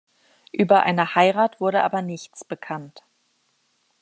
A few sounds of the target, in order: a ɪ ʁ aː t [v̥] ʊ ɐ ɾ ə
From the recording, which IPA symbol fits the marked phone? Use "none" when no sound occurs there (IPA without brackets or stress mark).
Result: v̥